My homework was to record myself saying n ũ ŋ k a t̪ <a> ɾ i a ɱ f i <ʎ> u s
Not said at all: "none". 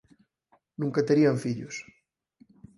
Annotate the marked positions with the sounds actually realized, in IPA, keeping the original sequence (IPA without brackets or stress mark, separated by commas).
e, ʎ